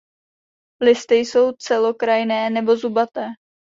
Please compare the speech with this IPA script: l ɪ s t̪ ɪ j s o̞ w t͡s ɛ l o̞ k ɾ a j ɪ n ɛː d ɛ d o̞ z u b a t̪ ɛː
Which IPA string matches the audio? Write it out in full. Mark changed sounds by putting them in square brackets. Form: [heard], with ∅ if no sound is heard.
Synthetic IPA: l ɪ s t̪ ɪ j s o̞ w t͡s ɛ l o̞ k ɾ a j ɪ n ɛː [n] ɛ [b] o̞ z u b a t̪ ɛː